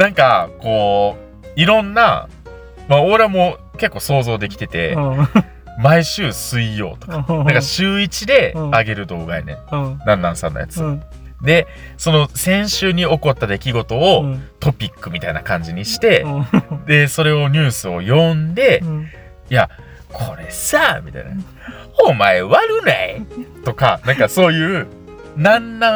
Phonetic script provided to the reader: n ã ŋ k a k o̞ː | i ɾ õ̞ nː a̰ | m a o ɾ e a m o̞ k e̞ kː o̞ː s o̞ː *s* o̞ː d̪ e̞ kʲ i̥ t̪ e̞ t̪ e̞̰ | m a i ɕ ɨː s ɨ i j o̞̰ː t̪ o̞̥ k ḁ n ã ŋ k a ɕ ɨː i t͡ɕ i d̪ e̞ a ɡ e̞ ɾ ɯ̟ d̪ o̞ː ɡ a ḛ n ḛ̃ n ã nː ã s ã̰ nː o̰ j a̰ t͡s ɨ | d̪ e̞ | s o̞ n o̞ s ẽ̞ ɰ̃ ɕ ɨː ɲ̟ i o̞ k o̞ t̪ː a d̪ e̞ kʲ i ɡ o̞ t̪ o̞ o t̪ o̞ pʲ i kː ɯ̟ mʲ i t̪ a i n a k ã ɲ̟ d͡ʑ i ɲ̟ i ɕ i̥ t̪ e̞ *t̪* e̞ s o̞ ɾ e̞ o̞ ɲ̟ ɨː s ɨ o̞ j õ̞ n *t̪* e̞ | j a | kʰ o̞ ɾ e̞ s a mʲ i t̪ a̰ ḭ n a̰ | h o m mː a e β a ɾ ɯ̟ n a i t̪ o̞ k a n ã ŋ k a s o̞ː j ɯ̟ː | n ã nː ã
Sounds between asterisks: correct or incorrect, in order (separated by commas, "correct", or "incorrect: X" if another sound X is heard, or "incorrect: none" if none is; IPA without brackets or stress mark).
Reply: incorrect: z, incorrect: d̪, incorrect: d̪